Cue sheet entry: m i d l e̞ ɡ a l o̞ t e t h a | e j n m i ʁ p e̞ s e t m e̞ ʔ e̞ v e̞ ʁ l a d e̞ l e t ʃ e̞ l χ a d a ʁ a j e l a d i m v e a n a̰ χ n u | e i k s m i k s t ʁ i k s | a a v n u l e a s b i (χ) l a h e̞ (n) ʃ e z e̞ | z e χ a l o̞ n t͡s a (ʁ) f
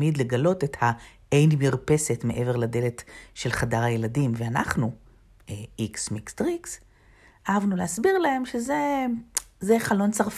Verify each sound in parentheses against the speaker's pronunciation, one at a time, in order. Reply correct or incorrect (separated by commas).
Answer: incorrect, incorrect, correct